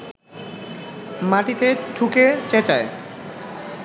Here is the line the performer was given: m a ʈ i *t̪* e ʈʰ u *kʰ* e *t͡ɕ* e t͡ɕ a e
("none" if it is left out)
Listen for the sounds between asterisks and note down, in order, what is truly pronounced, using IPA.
t̪, k, t͡ɕ

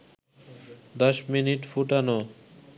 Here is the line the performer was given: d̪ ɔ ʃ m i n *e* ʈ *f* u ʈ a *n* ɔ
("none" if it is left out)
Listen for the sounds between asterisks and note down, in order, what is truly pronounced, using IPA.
i, f, n

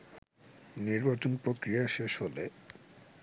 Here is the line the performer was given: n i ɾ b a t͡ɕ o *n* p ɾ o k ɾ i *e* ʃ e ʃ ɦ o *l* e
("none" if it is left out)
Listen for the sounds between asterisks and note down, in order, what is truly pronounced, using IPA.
n, a, l

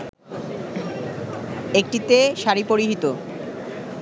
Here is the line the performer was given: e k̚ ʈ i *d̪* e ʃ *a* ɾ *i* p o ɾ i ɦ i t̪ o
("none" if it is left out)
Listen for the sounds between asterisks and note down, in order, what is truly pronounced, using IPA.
t̪, a, i

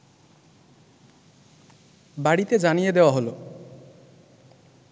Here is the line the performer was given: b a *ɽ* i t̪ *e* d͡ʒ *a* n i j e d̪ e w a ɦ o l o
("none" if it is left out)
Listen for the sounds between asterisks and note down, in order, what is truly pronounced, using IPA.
ɽ, e, a

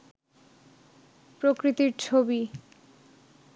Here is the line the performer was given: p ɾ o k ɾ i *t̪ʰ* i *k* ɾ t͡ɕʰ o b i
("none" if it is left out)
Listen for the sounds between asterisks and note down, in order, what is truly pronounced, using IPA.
t̪, none

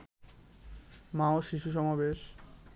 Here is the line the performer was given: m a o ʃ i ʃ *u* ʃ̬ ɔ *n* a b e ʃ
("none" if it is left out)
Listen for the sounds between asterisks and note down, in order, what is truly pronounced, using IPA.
u, m

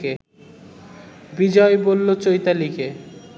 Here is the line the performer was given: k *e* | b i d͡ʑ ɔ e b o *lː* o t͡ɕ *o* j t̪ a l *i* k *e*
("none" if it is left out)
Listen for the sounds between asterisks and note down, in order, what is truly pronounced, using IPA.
e, lː, o, i, e

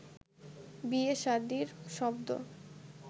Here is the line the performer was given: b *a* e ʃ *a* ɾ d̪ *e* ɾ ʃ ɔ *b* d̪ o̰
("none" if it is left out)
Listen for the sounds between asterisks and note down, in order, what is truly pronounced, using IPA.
i, a, i, b

